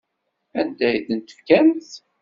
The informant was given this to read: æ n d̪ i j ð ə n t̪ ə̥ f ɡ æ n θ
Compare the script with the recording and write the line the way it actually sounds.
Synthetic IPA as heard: æ n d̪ æ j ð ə n t̪ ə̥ f k æ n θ